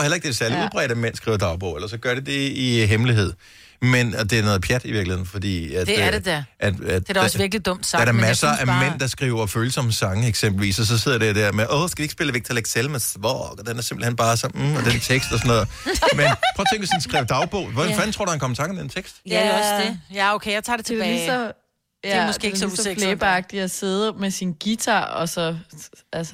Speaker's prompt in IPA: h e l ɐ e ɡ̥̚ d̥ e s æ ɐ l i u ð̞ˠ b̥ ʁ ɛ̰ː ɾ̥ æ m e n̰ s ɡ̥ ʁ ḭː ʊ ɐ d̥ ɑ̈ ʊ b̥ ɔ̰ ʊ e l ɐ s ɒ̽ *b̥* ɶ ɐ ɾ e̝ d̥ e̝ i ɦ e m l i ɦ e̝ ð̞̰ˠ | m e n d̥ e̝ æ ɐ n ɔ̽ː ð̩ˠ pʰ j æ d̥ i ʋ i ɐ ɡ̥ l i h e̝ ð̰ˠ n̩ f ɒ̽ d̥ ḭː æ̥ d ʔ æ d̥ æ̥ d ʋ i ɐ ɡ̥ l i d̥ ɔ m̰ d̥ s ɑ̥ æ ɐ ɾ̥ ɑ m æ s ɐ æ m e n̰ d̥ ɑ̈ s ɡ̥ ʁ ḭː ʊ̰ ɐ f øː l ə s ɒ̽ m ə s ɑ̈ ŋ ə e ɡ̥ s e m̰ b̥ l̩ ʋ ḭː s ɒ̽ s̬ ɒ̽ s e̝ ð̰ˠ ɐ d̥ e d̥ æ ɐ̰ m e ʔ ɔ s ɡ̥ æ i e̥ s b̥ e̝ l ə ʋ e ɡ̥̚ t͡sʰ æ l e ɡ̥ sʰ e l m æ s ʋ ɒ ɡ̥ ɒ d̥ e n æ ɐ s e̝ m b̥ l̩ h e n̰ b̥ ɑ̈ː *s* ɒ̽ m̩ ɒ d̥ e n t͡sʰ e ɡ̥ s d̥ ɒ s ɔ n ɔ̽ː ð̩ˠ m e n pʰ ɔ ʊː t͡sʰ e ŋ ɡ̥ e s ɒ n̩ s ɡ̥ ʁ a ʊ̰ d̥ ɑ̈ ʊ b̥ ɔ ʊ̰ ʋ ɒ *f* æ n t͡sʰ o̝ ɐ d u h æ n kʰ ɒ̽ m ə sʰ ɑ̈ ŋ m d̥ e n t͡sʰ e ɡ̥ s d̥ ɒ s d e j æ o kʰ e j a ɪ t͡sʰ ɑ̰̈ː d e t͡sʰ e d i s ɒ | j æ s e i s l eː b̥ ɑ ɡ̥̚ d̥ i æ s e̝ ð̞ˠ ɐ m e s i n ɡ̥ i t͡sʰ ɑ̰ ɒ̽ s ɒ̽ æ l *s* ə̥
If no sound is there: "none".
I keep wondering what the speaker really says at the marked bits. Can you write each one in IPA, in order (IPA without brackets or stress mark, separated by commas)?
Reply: ɡ̥, s, f, s